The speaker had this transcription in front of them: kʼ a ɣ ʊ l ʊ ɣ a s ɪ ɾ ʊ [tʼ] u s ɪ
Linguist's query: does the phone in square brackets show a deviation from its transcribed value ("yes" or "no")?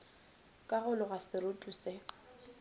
no